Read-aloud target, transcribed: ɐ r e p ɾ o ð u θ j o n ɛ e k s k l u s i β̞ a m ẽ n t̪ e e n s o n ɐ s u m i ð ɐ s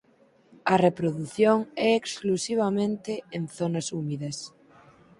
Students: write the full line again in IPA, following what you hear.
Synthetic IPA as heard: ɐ r e p ɾ o ð u θ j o ŋ ɛ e k s k l u s i β̞ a m ẽ n t̪ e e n θ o n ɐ s u m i ð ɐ s